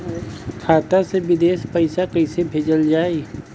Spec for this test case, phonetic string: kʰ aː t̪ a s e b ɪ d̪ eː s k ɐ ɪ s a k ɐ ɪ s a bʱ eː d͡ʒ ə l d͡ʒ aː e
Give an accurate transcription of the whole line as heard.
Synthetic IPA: kʰ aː t̪ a s e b ɪ d̪ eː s p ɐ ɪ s a k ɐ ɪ s e bʱ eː d͡ʒ ə l d͡ʒ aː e